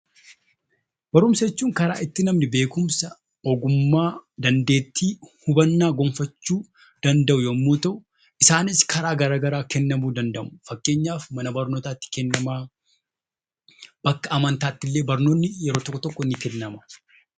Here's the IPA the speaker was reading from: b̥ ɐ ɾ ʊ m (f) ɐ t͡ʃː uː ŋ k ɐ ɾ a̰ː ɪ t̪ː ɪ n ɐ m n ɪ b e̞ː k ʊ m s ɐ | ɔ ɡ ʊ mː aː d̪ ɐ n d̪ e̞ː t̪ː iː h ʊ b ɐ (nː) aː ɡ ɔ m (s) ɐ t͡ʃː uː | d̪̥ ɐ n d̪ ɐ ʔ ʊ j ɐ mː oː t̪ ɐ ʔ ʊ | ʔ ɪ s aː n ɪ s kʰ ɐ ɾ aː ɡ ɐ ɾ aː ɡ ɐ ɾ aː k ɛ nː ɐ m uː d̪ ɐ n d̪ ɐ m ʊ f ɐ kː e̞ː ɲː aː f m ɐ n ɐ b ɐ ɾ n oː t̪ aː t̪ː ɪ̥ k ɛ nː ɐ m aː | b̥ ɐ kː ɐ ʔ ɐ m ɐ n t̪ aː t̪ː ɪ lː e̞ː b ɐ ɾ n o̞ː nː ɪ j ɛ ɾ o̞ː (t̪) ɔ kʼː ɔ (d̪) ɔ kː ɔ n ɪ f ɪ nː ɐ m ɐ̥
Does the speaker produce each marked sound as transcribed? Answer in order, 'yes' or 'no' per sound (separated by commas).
no, yes, no, yes, no